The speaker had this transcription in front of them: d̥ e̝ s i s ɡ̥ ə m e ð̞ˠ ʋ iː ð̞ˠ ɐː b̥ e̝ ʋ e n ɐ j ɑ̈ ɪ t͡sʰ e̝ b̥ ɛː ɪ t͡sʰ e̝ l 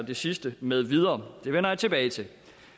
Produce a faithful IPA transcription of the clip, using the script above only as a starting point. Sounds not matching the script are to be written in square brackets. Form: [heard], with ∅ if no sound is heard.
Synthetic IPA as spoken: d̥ e̝ s i s [d̥] ə m e ð̞ˠ ʋ [i] ð̞ˠ ɐː [d̥] e̝ ʋ e n ɐ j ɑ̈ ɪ t͡sʰ e̝ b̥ ɛː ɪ t͡sʰ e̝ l